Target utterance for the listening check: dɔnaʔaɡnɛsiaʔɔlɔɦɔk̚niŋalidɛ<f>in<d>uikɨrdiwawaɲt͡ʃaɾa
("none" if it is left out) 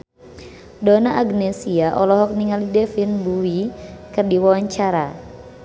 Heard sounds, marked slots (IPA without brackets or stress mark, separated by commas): f, b